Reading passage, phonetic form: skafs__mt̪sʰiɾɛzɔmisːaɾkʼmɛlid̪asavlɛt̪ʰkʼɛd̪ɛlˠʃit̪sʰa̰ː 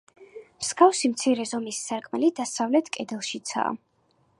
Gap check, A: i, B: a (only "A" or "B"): A